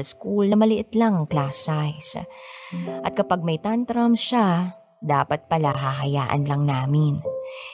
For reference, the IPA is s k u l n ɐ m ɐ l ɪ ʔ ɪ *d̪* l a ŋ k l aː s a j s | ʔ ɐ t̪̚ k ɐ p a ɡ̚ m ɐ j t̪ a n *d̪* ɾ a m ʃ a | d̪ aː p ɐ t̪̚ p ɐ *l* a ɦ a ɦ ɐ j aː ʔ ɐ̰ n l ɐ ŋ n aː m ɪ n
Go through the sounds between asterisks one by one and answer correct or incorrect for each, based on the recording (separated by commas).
incorrect, incorrect, correct